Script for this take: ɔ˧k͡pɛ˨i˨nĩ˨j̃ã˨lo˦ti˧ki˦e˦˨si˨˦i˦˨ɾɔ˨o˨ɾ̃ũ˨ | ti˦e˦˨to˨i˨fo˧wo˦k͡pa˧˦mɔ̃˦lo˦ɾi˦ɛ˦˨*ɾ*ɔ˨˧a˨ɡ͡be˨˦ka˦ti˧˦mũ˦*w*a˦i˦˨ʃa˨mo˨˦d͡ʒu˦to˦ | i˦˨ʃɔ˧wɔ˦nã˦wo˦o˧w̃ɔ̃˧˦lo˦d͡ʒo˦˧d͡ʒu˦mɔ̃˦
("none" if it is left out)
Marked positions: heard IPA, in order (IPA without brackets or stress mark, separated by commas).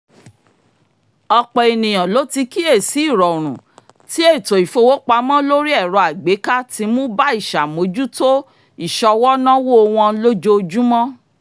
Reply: ɾ, b